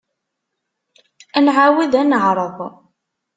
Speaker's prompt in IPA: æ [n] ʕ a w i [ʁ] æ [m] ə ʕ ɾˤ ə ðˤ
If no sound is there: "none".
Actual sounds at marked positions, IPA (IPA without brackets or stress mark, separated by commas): n, ð, n